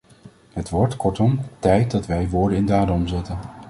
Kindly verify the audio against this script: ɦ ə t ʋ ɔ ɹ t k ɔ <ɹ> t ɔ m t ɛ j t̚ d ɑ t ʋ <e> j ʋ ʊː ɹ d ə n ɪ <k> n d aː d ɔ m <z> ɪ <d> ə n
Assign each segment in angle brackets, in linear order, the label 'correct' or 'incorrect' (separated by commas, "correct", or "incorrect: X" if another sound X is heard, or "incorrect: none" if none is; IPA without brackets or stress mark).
correct, incorrect: ɛ, incorrect: none, correct, incorrect: t